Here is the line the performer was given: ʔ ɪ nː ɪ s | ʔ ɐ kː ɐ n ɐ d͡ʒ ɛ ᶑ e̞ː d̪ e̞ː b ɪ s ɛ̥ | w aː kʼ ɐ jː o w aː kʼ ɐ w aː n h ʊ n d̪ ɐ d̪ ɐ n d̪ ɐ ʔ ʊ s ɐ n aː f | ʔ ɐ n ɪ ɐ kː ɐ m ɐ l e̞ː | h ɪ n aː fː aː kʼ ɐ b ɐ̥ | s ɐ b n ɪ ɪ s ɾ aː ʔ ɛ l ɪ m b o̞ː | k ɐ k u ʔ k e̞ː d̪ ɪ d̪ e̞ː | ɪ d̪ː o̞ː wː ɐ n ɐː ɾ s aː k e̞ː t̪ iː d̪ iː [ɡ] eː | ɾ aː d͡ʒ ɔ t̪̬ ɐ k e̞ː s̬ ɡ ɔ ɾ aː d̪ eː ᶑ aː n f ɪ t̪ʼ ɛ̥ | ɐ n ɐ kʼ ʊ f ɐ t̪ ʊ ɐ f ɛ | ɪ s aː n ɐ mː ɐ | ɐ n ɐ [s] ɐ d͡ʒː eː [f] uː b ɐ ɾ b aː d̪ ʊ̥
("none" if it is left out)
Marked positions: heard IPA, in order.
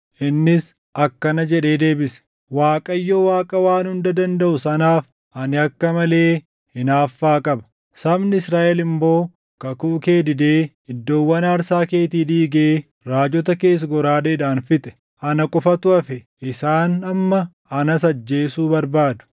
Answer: ɡ, s, s

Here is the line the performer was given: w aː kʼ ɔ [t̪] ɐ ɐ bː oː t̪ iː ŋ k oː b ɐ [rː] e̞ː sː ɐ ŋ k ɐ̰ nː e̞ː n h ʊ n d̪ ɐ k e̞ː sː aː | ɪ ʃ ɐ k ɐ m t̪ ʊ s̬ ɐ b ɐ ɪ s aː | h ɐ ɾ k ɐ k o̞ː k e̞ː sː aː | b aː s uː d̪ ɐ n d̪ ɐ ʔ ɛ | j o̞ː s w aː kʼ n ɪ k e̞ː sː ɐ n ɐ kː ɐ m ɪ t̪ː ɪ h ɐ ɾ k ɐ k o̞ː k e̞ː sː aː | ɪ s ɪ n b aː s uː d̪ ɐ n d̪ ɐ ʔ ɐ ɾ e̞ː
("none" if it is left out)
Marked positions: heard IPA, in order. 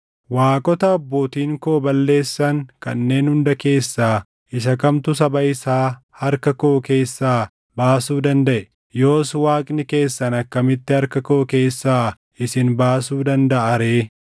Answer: t̪, lː

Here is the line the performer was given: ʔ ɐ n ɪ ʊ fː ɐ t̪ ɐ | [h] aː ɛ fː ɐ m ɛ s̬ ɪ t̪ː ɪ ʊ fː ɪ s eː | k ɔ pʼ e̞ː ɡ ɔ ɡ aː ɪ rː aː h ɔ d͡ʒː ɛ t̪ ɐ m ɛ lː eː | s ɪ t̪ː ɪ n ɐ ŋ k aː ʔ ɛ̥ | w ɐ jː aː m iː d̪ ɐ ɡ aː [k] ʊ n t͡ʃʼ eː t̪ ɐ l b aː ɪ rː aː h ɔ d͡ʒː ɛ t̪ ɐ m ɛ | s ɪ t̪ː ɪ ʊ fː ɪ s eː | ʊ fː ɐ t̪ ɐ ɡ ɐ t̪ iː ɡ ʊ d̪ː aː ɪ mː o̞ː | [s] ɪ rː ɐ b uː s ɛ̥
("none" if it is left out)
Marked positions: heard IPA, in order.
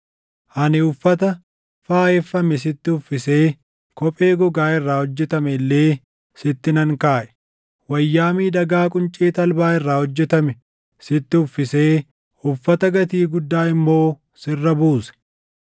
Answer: f, kʼ, s

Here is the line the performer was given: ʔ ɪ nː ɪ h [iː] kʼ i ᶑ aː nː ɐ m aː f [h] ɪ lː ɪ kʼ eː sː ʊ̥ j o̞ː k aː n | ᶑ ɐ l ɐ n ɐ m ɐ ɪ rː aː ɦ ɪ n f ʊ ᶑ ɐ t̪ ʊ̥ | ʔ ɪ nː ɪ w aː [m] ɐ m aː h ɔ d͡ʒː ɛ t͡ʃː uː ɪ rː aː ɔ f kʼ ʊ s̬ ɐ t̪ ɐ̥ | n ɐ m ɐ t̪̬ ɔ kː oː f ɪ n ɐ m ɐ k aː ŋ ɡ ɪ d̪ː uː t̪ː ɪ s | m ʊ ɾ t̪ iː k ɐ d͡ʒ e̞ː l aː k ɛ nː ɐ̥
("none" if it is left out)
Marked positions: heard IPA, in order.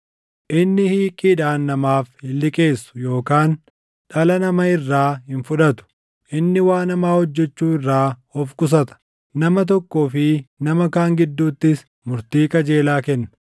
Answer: iː, h, n

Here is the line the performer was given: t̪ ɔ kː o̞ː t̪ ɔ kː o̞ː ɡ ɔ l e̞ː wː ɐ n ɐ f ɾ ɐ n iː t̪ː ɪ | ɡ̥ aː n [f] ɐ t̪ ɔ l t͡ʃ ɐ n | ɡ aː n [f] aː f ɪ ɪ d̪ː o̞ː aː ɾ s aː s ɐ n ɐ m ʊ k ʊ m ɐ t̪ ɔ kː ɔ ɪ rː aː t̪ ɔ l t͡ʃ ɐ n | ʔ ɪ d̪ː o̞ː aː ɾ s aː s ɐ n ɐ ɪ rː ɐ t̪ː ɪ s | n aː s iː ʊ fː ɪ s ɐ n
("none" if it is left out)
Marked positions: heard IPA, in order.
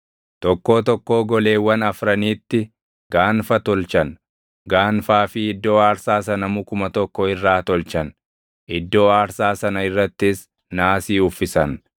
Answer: f, f

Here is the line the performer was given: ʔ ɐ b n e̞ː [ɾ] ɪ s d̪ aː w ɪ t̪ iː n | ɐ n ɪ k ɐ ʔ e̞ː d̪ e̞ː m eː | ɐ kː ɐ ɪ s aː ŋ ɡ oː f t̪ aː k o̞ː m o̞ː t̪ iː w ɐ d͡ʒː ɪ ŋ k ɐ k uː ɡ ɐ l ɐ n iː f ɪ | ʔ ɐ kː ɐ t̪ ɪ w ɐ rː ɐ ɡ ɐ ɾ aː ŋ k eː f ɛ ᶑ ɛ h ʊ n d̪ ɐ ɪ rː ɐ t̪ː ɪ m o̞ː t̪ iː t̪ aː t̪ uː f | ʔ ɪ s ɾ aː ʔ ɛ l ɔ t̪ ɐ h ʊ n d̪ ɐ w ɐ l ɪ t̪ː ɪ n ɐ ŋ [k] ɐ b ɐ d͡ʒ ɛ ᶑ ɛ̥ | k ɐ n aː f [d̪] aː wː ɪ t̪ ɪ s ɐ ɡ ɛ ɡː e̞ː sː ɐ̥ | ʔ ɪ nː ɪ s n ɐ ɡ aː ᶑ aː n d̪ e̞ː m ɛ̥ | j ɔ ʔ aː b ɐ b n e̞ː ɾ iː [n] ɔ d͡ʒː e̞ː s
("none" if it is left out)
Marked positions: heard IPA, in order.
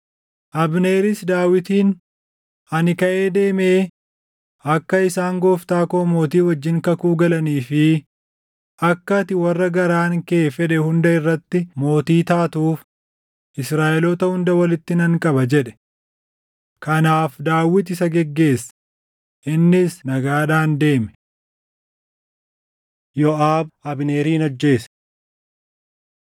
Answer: ɾ, kʼ, d̪, n

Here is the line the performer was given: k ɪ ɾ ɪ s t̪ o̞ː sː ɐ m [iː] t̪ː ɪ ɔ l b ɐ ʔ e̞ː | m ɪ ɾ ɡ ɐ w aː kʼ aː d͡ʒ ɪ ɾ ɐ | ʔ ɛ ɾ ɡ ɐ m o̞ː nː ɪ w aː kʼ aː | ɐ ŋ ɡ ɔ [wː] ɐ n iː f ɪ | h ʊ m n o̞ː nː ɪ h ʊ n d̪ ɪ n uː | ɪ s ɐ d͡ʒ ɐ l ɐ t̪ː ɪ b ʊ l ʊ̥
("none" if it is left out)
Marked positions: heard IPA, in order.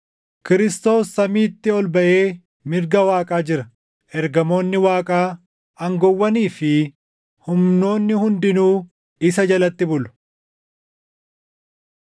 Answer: iː, wː

